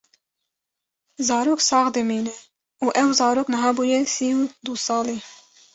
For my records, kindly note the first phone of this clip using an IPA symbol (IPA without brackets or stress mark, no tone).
z